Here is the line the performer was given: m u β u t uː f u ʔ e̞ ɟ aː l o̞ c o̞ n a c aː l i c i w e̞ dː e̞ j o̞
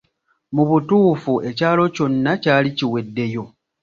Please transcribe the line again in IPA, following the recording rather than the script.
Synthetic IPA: m u β u t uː f u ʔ e̞ c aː l o̞ c o̞ nː a c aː l i c i w e̞ dː e̞ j o̞